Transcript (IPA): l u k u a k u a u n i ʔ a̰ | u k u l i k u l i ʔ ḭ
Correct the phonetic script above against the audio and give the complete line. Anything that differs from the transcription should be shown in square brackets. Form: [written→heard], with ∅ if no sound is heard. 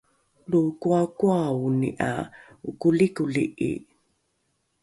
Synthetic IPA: l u k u a k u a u n i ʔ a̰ | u k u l i k u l i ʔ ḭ